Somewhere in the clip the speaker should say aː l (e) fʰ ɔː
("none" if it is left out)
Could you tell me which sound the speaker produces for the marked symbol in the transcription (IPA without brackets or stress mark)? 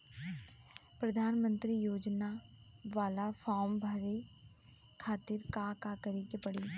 a